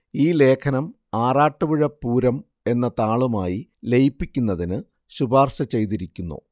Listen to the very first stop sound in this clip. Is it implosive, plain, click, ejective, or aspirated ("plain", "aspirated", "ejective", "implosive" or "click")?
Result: aspirated